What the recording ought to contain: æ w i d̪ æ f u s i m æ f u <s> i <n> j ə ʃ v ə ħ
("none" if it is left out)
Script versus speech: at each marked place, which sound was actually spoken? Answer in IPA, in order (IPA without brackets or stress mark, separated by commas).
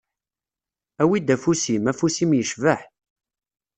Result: s, m